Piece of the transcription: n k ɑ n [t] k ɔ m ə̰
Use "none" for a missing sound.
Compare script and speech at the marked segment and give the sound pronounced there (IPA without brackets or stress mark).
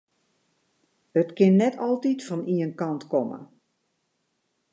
t